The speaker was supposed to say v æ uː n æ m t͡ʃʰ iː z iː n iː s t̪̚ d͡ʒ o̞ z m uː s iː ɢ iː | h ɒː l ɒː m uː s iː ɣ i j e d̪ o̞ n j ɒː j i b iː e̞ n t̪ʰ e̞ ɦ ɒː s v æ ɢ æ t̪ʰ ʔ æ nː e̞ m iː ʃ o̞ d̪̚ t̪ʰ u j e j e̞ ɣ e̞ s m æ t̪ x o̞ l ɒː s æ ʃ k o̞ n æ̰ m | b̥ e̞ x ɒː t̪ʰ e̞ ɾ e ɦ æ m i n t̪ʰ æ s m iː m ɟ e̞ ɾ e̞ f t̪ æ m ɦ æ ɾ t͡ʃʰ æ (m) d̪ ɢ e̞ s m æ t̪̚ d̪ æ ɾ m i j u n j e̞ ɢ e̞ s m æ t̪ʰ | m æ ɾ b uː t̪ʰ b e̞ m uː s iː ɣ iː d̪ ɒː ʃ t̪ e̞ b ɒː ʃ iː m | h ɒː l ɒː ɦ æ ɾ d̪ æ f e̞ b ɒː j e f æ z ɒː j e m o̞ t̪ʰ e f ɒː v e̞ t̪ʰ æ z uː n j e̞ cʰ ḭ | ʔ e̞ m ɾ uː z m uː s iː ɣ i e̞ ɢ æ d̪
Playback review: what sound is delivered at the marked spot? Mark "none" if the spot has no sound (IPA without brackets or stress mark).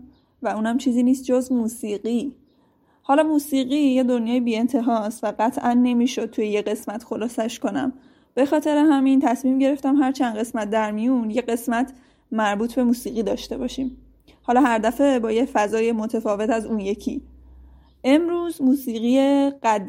n